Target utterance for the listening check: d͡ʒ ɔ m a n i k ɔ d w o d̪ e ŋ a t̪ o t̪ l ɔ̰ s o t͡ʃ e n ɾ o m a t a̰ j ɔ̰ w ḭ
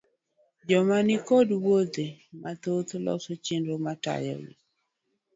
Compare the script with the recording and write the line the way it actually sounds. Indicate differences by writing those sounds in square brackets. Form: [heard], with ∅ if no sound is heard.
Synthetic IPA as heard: d͡ʒ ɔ m a n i k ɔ d w o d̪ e [m] a t̪ o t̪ l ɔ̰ s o t͡ʃ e n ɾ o m a t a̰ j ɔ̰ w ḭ